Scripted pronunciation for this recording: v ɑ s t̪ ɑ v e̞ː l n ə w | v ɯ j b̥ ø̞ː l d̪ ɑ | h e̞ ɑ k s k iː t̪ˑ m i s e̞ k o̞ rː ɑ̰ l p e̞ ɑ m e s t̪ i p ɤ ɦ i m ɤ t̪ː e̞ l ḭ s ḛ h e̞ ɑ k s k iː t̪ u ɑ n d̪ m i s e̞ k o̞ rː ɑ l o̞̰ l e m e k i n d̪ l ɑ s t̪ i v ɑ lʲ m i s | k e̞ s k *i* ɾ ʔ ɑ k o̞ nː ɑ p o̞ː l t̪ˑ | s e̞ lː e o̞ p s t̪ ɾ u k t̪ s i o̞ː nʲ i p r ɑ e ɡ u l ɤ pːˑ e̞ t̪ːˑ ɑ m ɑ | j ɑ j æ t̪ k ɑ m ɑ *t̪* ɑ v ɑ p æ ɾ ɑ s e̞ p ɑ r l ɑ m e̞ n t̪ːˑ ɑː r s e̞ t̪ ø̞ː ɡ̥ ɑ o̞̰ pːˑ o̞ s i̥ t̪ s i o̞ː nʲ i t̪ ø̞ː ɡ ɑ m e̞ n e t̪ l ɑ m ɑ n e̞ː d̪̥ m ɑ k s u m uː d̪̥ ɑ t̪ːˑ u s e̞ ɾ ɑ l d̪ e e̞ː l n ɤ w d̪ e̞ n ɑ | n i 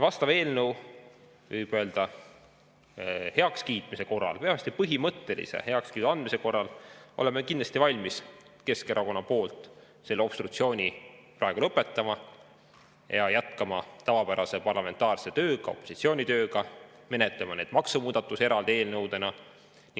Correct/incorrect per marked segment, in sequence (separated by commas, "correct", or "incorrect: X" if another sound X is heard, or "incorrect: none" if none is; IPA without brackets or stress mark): incorrect: e, correct